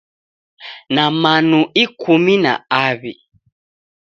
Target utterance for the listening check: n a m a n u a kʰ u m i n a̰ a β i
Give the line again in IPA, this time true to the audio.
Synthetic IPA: n a m a n u i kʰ u m i n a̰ a β i